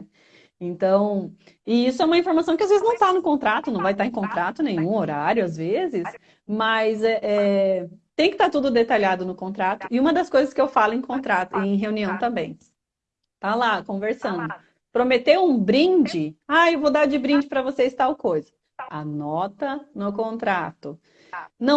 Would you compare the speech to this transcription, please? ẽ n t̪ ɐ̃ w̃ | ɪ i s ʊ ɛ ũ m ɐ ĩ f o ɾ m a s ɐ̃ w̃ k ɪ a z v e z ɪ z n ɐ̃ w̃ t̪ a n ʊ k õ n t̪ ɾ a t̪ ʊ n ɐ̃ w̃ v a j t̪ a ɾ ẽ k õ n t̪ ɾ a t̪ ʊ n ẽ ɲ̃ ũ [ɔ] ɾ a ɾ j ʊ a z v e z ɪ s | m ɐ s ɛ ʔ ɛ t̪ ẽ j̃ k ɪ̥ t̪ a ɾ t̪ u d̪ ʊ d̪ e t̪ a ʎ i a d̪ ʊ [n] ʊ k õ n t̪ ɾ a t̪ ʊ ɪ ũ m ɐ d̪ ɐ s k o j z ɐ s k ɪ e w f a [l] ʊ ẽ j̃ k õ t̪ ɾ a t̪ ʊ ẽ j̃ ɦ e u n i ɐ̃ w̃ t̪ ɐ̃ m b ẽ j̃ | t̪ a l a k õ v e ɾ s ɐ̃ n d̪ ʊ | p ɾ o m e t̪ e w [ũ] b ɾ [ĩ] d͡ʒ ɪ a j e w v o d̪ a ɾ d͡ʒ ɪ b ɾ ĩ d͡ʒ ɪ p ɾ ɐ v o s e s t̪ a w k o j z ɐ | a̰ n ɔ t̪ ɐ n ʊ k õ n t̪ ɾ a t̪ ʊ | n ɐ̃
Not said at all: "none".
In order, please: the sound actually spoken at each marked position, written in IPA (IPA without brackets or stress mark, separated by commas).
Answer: o, n, l, ũ, ĩ